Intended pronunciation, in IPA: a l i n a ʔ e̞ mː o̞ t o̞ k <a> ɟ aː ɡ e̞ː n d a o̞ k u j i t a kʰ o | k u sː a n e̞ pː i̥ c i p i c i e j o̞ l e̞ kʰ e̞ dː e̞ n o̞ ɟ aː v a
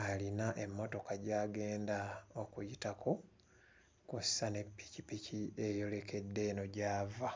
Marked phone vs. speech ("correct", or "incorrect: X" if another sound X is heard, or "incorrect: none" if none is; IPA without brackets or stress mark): correct